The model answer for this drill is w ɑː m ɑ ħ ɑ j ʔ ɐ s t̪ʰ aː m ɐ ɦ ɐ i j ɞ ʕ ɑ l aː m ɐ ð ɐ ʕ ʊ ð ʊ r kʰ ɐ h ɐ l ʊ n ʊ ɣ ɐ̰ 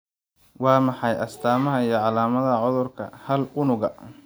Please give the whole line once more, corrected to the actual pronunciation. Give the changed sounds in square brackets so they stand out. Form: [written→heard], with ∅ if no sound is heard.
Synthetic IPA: w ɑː m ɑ ħ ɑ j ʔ ɐ s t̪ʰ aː m ɐ ɦ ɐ i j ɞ ʕ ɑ l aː m ɐ ð ɐ ʕ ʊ ð ʊ r kʰ ɐ h ɐ l ʊ n ʊ ɣ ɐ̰